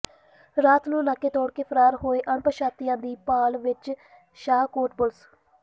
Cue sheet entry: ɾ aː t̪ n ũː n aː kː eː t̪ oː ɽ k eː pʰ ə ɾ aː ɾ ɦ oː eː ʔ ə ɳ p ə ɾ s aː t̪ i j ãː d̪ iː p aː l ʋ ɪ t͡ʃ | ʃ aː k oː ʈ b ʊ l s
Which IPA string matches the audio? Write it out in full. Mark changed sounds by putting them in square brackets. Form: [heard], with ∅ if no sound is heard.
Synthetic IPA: ɾ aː t̪ n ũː n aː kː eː t̪ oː ɽ k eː pʰ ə ɾ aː ɾ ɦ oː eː ʔ ə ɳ p ə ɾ [ʃ] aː t̪ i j ãː d̪ iː p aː l ʋ ɪ t͡ʃ | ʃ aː k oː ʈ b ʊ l s